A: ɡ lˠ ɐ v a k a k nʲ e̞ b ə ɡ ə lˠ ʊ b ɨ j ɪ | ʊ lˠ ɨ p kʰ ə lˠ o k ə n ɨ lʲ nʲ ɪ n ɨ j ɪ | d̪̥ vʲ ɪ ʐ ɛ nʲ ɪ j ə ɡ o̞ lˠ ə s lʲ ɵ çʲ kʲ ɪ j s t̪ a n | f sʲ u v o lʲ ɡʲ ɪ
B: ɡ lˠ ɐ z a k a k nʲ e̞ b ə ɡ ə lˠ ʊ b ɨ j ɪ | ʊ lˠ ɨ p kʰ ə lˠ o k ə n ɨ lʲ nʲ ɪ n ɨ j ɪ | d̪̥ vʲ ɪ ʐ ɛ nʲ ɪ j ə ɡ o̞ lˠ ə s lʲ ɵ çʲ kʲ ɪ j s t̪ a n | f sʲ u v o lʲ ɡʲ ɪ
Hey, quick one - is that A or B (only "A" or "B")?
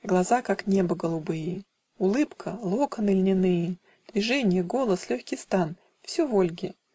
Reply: B